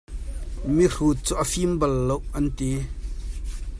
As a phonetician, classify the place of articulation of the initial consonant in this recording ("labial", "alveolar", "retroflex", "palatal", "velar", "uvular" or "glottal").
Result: labial